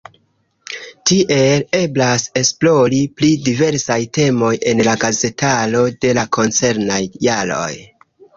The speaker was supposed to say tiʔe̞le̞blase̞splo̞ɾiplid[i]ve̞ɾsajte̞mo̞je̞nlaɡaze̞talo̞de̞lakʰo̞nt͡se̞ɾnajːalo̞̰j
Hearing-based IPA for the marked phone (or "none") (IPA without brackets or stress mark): i